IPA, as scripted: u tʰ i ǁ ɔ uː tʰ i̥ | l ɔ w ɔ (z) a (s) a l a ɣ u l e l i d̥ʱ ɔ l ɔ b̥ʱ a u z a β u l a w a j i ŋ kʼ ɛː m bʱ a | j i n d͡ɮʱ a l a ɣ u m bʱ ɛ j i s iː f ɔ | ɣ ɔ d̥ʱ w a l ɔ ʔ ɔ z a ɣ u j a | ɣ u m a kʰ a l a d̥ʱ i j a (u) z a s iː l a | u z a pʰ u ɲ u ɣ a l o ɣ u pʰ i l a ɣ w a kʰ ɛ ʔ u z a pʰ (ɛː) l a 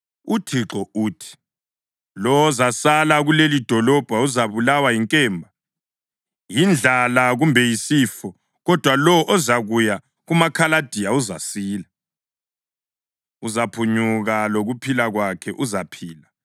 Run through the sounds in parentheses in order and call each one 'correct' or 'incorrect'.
correct, correct, correct, incorrect

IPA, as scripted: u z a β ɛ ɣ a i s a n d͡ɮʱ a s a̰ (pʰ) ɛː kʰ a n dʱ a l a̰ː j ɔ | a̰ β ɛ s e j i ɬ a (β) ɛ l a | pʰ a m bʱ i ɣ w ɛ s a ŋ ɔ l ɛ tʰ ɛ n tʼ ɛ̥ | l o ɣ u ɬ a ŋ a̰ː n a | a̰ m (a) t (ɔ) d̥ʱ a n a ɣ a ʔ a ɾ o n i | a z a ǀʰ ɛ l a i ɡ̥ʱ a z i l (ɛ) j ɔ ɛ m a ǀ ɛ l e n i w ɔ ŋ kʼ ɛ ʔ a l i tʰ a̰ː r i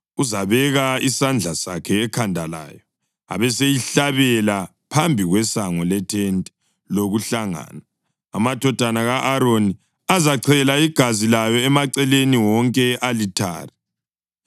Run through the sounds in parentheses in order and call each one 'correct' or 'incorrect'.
incorrect, correct, correct, correct, incorrect

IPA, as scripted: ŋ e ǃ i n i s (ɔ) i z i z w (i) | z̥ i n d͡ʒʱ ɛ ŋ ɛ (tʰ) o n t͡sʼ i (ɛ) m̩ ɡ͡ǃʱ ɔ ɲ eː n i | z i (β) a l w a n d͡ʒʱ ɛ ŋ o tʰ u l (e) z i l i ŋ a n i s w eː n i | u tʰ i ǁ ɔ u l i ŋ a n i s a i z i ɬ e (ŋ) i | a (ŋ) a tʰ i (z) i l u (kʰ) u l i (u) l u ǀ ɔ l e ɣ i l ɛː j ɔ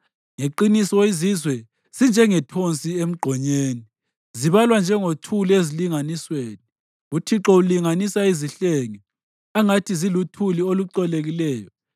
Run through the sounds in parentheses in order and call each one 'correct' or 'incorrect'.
correct, incorrect, correct, incorrect, correct, correct, correct, correct, correct, incorrect, incorrect

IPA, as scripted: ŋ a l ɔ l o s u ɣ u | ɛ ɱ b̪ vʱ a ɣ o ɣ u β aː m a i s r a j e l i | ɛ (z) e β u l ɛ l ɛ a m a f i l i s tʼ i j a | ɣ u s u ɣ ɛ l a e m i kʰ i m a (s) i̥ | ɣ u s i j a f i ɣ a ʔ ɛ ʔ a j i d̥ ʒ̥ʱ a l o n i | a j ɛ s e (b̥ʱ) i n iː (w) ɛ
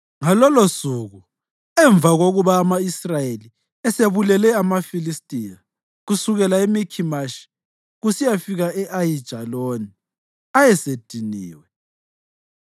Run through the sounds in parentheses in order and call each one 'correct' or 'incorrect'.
incorrect, incorrect, incorrect, correct

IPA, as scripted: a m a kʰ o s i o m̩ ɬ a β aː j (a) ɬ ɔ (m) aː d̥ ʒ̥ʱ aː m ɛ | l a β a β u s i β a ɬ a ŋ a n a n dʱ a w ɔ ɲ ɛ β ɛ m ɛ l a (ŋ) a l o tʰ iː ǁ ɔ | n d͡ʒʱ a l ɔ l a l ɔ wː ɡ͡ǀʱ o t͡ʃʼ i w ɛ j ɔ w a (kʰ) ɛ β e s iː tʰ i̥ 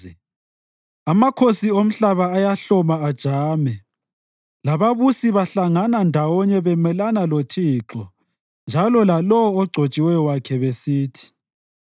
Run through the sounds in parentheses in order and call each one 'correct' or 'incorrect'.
correct, correct, incorrect, correct

